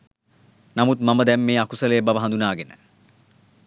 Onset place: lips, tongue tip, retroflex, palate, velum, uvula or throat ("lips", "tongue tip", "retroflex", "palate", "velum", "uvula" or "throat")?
tongue tip